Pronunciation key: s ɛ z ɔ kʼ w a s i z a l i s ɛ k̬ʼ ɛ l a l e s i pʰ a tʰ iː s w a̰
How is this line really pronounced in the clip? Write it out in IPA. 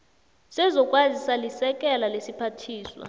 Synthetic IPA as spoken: s ɛ z ɔ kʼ w a z i s a l i s ɛ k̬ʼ ɛ l a l e s i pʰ a tʰ iː s w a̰